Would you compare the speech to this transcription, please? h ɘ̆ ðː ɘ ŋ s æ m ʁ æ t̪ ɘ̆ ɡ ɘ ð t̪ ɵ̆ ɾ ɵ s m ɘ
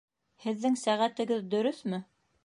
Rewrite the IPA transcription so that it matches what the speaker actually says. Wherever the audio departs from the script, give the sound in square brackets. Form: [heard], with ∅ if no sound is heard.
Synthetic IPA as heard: h ɘ̆ ðː ɘ ŋ s æ [∅] ʁ æ t̪ ɘ̆ ɡ ɘ ð [d̪] ɵ̆ ɾ ɵ [θ] m ɘ